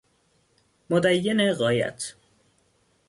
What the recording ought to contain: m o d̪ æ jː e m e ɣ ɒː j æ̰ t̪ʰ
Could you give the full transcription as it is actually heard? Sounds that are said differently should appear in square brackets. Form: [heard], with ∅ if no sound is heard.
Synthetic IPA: m o d̪ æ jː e [n] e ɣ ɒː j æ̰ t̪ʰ